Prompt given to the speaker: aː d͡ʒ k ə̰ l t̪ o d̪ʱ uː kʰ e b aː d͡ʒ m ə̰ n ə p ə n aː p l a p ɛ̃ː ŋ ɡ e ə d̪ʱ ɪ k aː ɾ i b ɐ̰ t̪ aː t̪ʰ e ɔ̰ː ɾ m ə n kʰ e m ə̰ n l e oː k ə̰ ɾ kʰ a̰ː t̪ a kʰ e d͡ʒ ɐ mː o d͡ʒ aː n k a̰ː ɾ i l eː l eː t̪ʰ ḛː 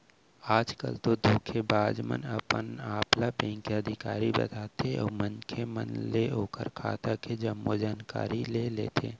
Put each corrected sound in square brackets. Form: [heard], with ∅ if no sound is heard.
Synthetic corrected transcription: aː d͡ʒ k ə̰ l t̪ o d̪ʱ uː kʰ e b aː d͡ʒ m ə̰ n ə p ə n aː p l a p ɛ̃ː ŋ [k] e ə d̪ʱ ɪ k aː ɾ i b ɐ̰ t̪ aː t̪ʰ e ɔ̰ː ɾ m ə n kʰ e m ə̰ n l e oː k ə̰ ɾ kʰ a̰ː t̪ a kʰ e d͡ʒ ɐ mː o d͡ʒ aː n k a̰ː ɾ i l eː l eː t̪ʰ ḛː